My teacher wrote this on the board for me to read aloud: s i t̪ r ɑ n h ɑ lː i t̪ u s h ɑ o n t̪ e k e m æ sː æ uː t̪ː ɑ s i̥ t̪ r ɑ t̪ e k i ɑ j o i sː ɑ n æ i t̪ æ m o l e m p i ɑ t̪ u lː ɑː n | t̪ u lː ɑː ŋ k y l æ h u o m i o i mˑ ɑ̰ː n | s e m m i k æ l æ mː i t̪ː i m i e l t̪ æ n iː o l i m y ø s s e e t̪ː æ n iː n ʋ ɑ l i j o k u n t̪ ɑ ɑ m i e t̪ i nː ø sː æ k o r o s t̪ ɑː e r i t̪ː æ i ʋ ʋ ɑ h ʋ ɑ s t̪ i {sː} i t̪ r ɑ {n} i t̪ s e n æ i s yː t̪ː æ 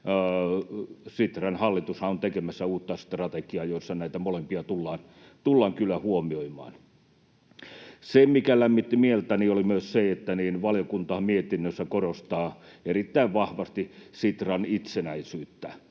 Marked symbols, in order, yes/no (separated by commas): no, yes